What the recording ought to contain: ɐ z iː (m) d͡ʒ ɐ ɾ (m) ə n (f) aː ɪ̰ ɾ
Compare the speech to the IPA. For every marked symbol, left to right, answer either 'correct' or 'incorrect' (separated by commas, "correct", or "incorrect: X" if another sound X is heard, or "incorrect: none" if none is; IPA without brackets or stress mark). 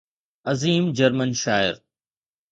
correct, correct, incorrect: ʃ